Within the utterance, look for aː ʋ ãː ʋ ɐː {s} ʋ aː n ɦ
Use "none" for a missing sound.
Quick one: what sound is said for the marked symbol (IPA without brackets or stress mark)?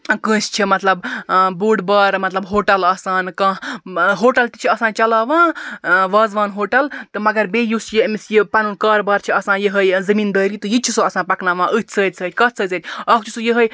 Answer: z